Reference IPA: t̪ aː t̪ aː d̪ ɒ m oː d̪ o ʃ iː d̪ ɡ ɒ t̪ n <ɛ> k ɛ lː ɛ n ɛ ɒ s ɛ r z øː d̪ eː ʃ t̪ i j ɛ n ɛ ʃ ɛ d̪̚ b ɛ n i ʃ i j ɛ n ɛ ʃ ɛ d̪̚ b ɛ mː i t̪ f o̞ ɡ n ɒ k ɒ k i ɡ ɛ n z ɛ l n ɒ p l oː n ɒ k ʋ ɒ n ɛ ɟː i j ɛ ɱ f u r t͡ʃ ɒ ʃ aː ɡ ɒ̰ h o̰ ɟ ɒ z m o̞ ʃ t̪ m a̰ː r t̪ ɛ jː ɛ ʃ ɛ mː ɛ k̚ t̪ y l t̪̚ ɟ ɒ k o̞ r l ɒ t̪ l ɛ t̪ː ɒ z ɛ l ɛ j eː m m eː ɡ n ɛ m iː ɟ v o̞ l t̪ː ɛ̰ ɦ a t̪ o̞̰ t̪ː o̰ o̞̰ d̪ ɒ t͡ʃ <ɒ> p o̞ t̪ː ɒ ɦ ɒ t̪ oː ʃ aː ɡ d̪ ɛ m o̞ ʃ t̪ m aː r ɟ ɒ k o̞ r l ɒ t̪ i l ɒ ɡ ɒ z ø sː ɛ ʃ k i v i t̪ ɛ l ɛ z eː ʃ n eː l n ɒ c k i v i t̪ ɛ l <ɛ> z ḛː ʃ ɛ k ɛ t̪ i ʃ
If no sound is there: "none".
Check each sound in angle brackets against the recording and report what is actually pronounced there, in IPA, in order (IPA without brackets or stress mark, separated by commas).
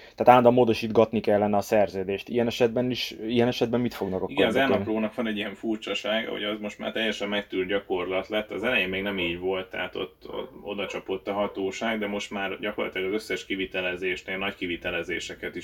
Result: i, ɒ, ɛ